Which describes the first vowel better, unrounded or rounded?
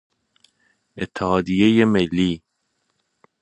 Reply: unrounded